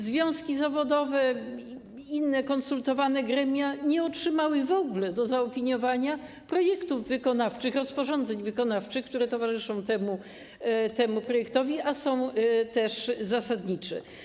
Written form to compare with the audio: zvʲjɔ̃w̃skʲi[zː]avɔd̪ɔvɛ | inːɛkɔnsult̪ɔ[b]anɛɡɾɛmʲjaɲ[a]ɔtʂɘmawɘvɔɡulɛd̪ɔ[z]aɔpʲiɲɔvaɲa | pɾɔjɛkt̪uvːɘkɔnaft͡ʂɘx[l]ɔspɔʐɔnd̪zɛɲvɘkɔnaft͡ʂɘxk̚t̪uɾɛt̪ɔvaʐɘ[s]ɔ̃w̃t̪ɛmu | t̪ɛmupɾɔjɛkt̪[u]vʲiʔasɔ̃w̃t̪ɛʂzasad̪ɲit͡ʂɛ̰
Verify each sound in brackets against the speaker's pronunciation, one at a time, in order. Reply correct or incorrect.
incorrect, incorrect, incorrect, correct, incorrect, incorrect, incorrect

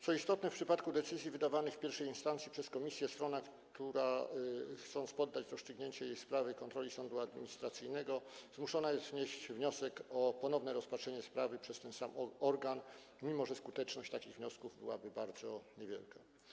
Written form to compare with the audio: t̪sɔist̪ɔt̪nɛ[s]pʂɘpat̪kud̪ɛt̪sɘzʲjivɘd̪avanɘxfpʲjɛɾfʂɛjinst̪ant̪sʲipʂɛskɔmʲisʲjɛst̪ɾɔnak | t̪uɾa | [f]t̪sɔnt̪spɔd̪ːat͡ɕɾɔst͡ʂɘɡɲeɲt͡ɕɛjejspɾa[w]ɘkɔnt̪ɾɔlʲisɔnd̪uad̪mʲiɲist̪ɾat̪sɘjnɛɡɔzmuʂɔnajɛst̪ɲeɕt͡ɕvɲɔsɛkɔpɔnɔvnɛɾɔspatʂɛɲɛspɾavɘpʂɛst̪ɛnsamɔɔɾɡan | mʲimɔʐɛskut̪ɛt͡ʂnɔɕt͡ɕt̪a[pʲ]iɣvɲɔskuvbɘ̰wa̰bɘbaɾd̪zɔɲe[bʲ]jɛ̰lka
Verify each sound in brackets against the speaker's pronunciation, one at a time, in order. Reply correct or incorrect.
incorrect, incorrect, incorrect, incorrect, incorrect

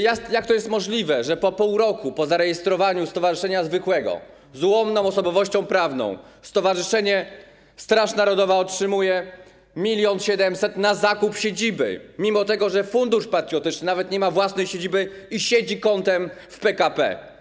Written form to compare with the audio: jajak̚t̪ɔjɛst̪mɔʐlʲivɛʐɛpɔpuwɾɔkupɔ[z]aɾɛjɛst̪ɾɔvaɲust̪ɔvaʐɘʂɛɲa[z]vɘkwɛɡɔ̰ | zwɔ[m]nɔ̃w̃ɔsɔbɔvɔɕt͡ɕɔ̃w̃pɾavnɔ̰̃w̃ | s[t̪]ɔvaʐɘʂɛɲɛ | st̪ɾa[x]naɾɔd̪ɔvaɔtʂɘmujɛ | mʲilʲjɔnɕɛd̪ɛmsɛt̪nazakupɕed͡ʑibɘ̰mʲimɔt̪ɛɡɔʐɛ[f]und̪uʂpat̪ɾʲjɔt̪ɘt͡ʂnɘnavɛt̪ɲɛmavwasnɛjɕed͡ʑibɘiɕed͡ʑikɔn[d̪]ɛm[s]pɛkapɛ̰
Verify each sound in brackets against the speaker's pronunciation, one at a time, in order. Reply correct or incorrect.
correct, correct, correct, correct, incorrect, correct, incorrect, incorrect

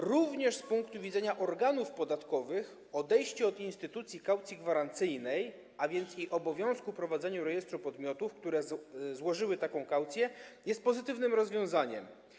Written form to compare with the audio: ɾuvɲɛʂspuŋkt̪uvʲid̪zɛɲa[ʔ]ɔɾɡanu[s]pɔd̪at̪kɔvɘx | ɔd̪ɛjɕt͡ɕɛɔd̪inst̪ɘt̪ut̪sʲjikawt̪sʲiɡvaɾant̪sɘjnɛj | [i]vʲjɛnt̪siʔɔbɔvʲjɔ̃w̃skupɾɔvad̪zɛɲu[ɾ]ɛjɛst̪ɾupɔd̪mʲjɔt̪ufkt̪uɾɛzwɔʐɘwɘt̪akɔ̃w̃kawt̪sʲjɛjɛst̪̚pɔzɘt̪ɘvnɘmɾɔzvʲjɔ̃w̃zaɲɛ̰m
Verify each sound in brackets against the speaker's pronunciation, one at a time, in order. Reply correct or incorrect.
correct, incorrect, incorrect, correct

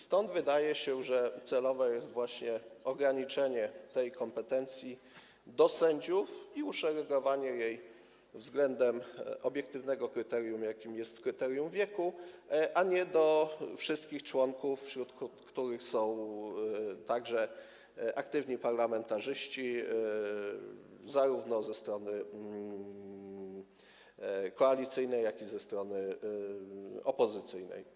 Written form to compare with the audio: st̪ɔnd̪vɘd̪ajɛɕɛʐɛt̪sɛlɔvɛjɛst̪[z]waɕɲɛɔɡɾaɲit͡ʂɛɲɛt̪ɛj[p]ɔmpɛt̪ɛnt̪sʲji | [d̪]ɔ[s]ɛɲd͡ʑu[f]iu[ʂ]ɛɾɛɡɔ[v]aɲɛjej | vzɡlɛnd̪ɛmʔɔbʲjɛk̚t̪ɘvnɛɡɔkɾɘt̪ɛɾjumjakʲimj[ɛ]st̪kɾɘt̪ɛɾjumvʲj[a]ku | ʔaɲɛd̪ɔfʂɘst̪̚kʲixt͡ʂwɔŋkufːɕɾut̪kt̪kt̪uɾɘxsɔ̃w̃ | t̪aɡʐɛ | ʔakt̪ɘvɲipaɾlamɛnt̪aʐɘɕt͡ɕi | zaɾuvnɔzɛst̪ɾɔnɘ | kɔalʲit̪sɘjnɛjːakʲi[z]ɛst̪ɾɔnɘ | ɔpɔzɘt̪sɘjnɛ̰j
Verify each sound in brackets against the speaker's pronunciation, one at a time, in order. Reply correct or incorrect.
incorrect, incorrect, correct, correct, correct, correct, correct, correct, incorrect, correct

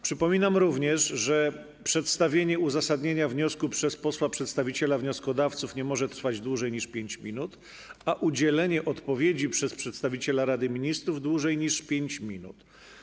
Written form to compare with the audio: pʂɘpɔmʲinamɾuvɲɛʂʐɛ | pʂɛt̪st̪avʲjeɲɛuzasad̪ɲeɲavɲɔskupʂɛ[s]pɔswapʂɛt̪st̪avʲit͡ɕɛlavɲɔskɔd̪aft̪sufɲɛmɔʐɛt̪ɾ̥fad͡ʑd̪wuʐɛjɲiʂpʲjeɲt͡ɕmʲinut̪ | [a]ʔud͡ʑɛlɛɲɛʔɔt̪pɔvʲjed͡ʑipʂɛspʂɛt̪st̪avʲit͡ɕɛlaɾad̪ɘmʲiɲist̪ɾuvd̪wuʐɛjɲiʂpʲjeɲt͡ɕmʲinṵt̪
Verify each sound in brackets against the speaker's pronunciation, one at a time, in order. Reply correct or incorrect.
correct, correct

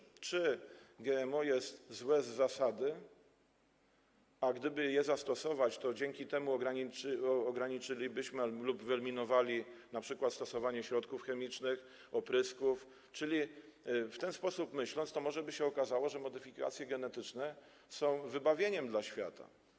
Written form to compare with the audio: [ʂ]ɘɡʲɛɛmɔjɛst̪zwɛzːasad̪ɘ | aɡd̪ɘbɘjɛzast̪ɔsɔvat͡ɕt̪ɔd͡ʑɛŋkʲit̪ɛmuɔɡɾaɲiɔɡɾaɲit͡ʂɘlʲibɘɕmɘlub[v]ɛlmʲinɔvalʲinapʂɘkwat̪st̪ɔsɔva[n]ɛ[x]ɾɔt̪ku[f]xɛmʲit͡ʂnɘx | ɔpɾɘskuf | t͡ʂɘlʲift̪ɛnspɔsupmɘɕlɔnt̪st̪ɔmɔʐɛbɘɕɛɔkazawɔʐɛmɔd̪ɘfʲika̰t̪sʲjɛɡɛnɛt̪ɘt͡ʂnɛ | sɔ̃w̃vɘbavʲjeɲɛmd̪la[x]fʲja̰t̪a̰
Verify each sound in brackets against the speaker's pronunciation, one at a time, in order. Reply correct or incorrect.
incorrect, correct, incorrect, incorrect, correct, incorrect

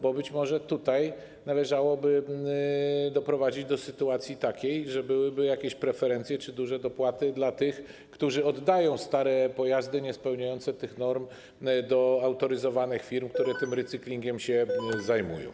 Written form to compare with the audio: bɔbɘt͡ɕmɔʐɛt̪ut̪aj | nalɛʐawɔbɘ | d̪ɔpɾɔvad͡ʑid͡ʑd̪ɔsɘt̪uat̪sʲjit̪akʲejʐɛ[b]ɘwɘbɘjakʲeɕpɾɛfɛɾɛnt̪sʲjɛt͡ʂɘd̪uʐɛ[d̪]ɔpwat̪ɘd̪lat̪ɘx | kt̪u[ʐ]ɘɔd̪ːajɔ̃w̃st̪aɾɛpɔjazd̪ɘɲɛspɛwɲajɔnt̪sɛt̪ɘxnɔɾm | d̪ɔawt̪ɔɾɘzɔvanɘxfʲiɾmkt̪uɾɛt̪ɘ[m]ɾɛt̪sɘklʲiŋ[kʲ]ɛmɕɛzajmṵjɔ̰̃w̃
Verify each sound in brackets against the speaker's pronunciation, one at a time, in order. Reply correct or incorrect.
correct, correct, correct, correct, incorrect

